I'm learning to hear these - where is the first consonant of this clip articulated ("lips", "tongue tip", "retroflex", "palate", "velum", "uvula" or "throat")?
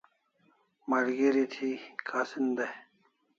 lips